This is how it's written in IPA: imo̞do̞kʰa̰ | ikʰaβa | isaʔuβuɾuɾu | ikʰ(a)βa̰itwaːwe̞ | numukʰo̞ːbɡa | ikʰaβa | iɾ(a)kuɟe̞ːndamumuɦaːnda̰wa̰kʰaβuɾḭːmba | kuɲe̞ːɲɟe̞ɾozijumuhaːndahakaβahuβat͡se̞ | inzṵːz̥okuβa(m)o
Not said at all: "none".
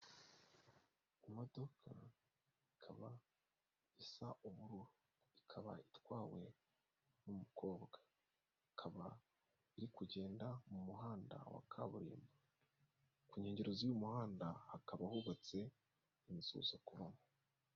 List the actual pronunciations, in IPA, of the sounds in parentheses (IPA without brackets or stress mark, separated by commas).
a, i, m